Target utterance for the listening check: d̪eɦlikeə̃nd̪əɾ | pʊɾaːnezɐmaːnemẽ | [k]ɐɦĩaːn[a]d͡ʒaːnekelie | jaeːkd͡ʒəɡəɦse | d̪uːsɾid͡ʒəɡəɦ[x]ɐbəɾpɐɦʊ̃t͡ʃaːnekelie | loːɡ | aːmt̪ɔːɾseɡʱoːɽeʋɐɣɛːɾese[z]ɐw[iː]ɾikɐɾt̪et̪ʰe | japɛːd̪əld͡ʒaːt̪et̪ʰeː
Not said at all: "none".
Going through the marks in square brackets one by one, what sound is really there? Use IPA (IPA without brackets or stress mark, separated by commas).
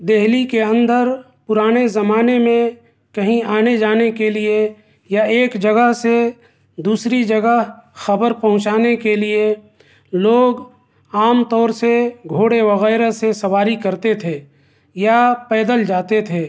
k, e, x, s, aː